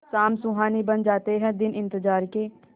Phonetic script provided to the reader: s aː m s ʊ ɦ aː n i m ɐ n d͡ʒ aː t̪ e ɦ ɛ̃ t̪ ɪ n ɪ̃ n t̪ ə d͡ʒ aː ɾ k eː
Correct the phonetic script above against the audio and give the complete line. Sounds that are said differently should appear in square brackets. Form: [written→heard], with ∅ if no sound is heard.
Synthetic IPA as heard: s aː m s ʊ ɦ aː n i [m→b] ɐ n d͡ʒ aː t̪ e ɦ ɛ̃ [t̪→d̪] ɪ n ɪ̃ n t̪ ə d͡ʒ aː ɾ k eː